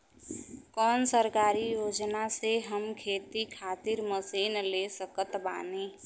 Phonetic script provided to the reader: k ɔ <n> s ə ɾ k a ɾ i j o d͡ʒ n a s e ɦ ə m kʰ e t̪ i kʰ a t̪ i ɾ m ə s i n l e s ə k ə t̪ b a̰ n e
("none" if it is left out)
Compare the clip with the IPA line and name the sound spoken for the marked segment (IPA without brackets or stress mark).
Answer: n